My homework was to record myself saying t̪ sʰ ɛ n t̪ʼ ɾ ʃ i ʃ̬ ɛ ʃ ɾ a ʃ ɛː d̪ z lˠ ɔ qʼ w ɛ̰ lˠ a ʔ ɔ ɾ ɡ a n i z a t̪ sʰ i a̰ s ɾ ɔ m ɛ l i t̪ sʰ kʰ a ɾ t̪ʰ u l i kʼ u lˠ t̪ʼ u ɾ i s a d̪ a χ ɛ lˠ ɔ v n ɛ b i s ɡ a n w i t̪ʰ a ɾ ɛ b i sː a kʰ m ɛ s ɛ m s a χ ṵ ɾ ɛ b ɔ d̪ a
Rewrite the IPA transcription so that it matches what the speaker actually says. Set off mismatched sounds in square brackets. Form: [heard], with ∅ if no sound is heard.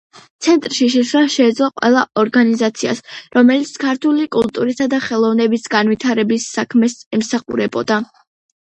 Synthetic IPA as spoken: t̪ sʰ ɛ n t̪ʼ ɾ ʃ i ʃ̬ ɛ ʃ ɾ a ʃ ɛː d̪ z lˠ ɔ qʼ w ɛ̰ lˠ a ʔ ɔ ɾ ɡ a n i z a t̪ sʰ i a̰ s ɾ ɔ m ɛ l i t̪ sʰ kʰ a ɾ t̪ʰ u l i kʼ u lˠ t̪ʼ u ɾ i s a d̪ a χ ɛ lˠ ɔ v n ɛ b i s ɡ a n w i t̪ʰ a ɾ ɛ b i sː a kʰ m ɛ s ɛ m s a χ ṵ ɾ ɛ b ɔ d̪ a